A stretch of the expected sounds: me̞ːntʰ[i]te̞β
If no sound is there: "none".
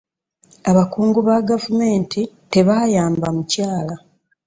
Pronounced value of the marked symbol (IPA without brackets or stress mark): i